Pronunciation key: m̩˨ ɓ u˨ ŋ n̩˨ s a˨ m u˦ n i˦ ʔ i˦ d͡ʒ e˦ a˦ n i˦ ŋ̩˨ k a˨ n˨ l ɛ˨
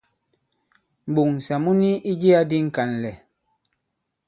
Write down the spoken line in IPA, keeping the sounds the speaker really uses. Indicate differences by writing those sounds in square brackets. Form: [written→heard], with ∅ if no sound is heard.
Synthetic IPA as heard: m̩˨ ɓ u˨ ŋ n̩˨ s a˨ m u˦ n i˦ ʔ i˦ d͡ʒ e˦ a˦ [n→d] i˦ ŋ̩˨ k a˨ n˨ l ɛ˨

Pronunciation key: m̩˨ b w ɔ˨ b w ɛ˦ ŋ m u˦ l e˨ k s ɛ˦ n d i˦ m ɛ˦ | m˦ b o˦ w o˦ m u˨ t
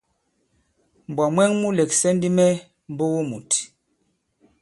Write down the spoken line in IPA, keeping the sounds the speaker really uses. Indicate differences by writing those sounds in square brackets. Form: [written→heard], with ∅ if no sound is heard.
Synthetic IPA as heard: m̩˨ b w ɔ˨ [b→m] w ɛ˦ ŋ m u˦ l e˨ k s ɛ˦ n d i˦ m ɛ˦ | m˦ b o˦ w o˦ m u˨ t

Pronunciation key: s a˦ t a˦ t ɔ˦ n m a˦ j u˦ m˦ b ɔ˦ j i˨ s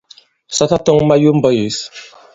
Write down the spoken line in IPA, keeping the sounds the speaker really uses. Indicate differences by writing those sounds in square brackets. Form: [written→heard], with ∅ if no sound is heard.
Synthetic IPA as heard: s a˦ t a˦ t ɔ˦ [n→ŋ] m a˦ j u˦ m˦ b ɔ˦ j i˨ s

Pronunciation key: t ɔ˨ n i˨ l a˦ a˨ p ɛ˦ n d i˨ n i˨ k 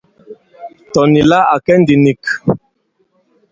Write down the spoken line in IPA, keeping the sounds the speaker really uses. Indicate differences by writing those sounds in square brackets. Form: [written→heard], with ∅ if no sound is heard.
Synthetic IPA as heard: t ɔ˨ n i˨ l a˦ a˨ [p→k] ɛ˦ n d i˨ n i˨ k

